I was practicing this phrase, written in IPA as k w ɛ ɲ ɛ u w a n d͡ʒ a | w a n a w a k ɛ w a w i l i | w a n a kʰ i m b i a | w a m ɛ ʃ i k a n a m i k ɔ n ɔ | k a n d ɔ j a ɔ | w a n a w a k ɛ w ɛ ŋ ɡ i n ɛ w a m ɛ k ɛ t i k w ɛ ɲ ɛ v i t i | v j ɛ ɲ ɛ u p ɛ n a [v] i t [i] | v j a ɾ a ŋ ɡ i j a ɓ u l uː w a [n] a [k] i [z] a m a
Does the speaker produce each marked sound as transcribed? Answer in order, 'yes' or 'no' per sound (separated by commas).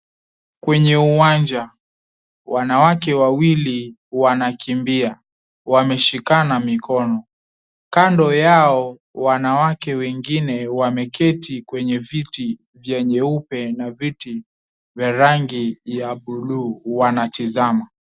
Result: yes, yes, yes, no, yes